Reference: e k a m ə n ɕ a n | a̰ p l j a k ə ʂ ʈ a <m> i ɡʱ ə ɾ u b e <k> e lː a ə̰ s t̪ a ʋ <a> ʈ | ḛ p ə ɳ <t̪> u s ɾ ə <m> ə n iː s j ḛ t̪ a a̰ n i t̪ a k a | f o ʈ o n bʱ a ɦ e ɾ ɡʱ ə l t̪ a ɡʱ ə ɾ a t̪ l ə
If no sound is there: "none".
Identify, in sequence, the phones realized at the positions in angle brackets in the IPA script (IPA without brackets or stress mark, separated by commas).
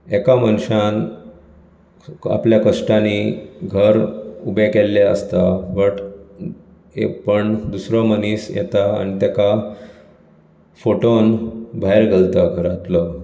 n, k, ə, d̪, m